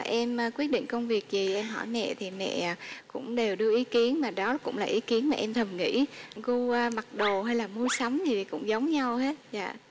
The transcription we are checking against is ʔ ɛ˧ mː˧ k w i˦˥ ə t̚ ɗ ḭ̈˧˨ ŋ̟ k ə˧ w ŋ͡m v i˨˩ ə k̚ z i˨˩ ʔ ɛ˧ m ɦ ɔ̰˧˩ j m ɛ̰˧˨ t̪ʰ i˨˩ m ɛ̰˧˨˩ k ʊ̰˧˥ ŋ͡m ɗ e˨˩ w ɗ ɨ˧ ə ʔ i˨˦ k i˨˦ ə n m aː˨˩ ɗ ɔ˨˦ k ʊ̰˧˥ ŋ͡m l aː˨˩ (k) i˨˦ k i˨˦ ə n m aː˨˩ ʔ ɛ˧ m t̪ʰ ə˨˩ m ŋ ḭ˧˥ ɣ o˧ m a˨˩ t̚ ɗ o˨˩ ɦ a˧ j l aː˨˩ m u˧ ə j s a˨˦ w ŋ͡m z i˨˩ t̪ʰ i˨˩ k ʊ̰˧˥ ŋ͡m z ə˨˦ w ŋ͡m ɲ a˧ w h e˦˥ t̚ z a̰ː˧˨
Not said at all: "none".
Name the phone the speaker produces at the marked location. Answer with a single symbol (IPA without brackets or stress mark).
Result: ʔ